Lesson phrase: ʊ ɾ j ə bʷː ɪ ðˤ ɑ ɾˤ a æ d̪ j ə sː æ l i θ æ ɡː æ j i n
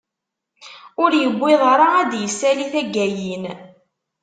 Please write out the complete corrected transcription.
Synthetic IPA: ʊ ɾ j ə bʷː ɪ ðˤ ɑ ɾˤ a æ d̪ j ə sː æ l i θ æ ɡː æ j i n